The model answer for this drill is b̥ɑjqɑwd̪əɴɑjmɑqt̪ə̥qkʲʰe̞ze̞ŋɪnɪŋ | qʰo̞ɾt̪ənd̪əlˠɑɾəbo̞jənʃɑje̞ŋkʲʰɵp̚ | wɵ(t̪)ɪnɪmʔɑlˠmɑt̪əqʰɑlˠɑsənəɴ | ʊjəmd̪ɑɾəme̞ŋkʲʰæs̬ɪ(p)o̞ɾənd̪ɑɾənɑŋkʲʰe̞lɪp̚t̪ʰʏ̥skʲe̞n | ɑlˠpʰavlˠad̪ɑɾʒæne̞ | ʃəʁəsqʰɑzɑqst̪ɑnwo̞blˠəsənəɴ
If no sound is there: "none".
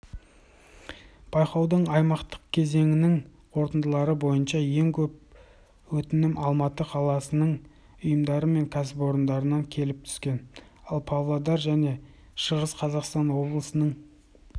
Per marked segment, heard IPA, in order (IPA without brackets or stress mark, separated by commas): t̪, p